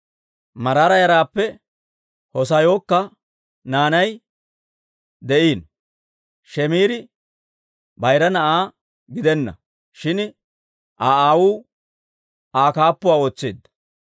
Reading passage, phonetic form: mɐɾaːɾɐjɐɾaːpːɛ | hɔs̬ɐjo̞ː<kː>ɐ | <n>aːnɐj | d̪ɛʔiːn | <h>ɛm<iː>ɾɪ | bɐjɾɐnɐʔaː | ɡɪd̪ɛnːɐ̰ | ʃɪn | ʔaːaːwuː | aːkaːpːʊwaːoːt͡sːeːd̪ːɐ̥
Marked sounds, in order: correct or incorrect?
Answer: correct, correct, incorrect: ʃ, correct

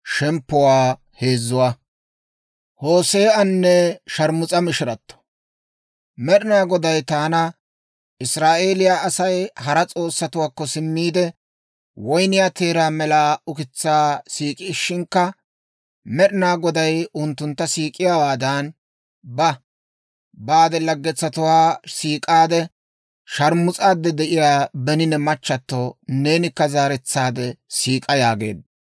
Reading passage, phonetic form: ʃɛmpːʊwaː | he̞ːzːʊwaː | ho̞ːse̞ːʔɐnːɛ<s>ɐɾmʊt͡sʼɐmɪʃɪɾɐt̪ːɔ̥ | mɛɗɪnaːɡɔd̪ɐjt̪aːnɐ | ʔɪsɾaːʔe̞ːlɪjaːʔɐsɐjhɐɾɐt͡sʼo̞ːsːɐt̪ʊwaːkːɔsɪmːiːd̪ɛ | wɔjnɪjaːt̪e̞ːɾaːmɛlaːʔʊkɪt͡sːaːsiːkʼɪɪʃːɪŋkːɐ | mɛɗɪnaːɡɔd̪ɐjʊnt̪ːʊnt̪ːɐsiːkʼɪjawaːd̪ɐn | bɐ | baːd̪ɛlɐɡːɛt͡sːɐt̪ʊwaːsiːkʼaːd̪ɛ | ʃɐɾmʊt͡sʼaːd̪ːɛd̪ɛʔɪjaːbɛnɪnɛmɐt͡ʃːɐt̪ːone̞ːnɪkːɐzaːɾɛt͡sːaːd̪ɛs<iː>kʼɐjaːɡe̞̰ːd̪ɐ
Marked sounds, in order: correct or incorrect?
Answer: incorrect: ʃ, correct

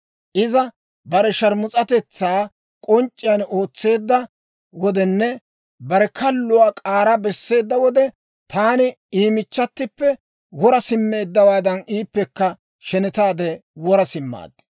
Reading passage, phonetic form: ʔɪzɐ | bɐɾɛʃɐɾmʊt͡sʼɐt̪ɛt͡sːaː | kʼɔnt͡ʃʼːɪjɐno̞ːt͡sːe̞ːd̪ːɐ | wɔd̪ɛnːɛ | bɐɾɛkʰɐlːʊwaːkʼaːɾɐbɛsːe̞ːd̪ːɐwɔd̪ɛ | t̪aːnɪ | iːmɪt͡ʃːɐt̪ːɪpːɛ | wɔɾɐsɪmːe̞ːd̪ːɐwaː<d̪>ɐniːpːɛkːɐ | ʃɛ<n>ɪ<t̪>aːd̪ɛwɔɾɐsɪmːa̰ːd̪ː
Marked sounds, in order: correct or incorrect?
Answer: correct, correct, correct

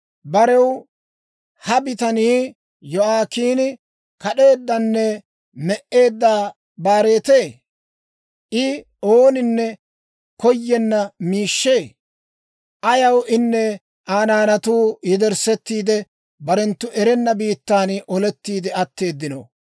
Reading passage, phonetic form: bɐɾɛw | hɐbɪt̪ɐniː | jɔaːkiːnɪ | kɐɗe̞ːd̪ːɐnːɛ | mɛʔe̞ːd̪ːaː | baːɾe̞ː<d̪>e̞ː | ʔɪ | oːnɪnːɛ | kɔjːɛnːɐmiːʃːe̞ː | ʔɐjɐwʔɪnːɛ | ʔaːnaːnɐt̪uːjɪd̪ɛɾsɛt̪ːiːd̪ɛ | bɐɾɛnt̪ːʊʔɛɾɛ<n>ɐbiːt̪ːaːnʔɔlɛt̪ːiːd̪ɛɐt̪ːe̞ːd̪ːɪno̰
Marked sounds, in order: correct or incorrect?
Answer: incorrect: t̪, incorrect: nː

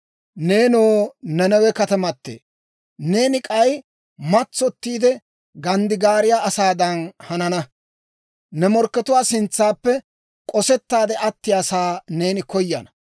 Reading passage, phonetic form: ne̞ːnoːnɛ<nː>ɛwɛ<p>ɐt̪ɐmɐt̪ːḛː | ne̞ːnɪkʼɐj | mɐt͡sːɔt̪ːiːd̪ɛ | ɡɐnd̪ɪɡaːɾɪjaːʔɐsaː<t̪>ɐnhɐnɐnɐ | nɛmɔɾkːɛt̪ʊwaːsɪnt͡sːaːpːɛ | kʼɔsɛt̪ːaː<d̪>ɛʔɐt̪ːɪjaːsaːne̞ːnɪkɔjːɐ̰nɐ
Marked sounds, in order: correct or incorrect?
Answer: incorrect: n, incorrect: k, incorrect: d̪, correct

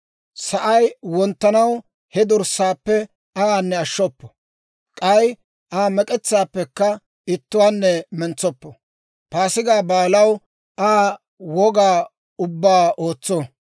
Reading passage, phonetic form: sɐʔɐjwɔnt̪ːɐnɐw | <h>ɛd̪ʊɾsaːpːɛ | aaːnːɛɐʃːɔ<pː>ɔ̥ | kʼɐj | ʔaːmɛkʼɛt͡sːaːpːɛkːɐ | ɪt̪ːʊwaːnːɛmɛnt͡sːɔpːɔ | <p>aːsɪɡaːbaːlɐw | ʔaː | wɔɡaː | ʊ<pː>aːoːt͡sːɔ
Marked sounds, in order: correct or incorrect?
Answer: correct, correct, correct, incorrect: bː

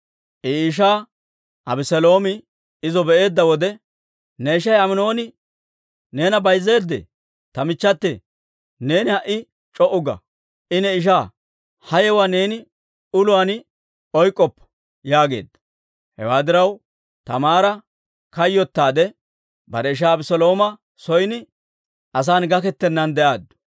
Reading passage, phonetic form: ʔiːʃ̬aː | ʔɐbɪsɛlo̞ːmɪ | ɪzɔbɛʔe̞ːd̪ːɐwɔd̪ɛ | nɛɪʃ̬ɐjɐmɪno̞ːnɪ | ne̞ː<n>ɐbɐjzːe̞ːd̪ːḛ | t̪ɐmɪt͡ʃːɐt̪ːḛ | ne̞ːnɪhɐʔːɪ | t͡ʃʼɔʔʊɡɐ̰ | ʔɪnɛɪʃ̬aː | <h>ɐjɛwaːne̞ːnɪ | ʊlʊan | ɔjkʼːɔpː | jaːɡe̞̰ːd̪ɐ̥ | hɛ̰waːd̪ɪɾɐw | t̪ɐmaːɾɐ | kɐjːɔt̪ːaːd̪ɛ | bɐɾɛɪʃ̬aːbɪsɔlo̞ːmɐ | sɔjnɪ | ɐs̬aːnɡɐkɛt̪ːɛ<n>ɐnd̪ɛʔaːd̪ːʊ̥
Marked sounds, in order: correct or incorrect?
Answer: correct, correct, incorrect: nː

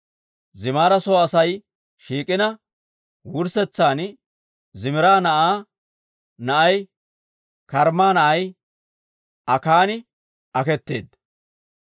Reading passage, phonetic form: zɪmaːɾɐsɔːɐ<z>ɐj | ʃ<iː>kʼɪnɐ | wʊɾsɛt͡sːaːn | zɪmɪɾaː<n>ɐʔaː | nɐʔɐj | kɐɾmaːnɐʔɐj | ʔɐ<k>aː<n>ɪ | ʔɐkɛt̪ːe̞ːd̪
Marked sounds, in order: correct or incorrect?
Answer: incorrect: s, correct, correct, correct, correct

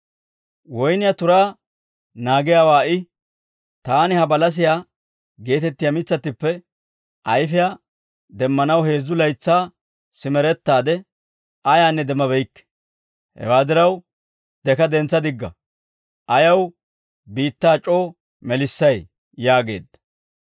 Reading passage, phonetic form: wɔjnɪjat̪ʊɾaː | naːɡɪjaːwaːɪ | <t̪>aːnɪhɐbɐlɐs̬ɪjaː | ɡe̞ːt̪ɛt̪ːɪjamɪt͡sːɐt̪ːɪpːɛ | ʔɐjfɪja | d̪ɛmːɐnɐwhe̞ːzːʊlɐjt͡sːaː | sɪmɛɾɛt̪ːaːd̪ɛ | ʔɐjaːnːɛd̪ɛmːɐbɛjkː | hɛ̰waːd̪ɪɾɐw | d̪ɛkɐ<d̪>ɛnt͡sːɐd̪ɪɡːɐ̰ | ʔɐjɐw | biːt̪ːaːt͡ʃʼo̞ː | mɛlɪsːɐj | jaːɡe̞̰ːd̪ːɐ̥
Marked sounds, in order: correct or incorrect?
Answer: correct, correct

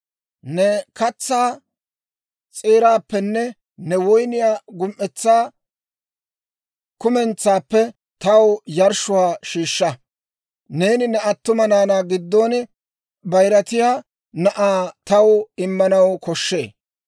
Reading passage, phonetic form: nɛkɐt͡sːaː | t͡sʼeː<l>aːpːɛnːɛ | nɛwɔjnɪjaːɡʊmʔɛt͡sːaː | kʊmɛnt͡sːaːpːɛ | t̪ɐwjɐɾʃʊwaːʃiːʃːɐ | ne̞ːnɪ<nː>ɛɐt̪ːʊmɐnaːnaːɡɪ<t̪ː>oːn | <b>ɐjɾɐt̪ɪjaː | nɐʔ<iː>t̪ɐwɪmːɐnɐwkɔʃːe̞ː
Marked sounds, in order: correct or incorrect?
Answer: incorrect: ɾ, incorrect: n, incorrect: d̪ː, correct, incorrect: aː

